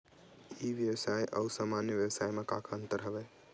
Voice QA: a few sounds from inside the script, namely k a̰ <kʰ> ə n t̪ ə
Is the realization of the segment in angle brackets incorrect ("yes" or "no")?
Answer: no